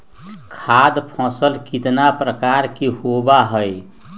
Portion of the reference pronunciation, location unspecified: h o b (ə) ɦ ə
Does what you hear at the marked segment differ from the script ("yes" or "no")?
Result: yes